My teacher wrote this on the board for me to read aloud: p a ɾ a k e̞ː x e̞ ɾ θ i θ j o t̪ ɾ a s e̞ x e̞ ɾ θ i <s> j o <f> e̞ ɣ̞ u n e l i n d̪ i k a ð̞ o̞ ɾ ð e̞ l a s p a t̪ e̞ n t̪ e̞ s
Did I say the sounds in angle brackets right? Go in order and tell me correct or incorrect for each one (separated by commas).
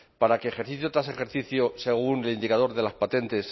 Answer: incorrect, incorrect